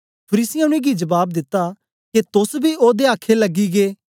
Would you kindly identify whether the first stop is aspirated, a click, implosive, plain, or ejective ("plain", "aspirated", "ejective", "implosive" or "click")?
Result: aspirated